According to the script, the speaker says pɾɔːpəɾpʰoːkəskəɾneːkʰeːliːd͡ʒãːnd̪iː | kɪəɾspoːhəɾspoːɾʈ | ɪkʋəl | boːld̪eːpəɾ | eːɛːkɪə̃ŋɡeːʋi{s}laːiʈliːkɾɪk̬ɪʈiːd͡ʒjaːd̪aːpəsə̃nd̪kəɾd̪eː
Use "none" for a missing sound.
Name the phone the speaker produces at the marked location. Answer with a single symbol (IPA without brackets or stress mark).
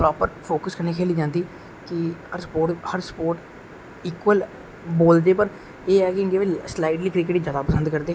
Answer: s